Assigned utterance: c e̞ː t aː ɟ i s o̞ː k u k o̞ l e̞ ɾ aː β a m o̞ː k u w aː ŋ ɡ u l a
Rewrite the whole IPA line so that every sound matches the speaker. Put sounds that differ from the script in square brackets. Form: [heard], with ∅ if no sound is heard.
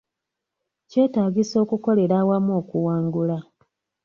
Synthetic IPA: c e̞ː t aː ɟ i s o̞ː k u k o̞ l e̞ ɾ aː [w] a m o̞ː k u w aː ŋ ɡ u l a